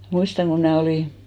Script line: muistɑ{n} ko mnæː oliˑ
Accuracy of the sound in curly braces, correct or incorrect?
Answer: incorrect